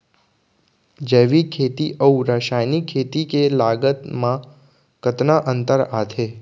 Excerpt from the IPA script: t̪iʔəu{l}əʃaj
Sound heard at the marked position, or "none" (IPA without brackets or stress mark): ɾ